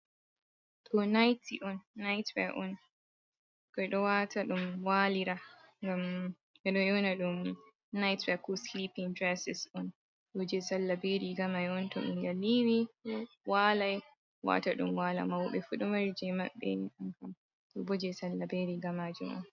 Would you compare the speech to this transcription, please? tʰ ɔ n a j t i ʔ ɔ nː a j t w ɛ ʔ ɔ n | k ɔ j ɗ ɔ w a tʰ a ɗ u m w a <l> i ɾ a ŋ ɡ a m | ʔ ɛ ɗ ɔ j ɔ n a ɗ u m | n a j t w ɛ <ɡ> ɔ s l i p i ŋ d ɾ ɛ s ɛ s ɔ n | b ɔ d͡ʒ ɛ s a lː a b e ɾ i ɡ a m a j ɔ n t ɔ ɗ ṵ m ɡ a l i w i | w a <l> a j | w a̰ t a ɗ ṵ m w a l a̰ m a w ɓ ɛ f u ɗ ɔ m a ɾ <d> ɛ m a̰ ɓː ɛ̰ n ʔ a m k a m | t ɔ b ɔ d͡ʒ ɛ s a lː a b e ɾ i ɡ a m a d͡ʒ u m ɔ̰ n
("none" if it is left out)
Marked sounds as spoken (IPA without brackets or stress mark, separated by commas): l, k, l, d͡ʒ